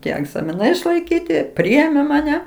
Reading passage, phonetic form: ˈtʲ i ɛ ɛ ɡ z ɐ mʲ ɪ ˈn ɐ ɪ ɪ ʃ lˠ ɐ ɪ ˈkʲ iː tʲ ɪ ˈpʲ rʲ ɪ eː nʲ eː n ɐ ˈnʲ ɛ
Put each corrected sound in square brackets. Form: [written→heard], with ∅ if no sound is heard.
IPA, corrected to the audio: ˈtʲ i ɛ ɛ ɡ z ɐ mʲ ɪ ˈn ɐ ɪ ɪ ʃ lˠ ɐ ɪ ˈkʲ iː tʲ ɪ ˈpʲ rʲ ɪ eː [nʲ→mʲ] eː [n→m] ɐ ˈnʲ ɛ